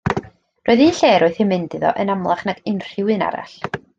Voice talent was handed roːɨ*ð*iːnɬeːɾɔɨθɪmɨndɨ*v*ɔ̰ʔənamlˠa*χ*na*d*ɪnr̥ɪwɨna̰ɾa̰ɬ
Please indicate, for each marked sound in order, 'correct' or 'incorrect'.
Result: correct, incorrect: ð, correct, incorrect: ɡ

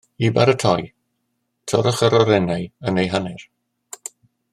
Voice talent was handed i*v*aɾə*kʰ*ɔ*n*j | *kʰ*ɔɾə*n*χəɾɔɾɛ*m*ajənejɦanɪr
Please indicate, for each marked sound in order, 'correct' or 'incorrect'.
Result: incorrect: b, incorrect: tʰ, incorrect: none, incorrect: tʰ, incorrect: none, incorrect: n

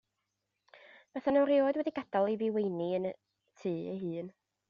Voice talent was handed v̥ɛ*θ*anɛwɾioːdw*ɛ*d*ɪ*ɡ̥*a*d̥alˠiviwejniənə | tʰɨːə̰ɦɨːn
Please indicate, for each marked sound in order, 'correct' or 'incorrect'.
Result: correct, correct, incorrect: i, correct

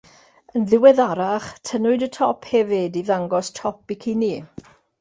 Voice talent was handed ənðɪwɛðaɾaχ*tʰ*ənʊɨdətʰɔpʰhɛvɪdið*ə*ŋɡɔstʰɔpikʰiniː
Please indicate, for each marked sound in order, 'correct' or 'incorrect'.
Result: correct, incorrect: a

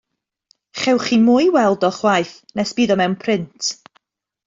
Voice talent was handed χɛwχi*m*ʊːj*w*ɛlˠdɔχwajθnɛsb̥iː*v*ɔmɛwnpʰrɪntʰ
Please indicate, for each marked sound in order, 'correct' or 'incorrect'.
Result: correct, correct, incorrect: ð

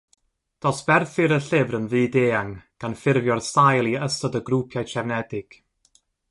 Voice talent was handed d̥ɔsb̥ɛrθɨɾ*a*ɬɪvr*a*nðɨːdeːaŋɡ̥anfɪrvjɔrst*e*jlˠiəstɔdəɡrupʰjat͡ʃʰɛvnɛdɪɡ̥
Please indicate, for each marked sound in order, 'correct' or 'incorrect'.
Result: incorrect: ə, incorrect: ə, incorrect: a

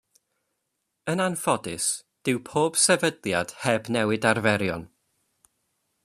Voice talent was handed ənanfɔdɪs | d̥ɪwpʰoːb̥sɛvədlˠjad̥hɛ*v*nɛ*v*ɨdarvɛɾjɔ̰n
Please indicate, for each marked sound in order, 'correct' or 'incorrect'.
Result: incorrect: b, incorrect: w

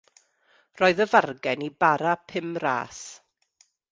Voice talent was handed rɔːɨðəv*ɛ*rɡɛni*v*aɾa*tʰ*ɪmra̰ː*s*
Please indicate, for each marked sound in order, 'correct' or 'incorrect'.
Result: incorrect: a, incorrect: b, incorrect: pʰ, correct

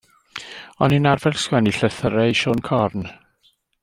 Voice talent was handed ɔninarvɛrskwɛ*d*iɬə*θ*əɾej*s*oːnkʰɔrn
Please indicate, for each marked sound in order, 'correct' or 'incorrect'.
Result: incorrect: n, correct, incorrect: ʃ

